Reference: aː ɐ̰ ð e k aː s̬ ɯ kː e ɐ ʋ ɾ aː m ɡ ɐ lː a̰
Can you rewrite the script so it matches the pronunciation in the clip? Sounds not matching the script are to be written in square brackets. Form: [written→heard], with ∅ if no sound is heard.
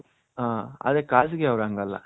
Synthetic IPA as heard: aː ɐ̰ ð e k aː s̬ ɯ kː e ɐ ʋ ɾ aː [m→ŋ] ɡ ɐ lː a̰